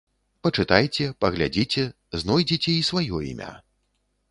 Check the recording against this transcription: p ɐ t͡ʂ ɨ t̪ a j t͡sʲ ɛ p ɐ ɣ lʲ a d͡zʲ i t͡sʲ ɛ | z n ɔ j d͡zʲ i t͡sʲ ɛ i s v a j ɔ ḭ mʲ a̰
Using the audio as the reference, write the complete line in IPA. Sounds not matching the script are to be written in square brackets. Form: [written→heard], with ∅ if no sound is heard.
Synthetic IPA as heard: p ɐ t͡ʂ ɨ t̪ a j t͡sʲ ɛ p ɐ ɣ lʲ a d͡zʲ i t͡sʲ ɛ | z n ɔ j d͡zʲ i t͡sʲ ɛ i s v a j ɔ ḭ mʲ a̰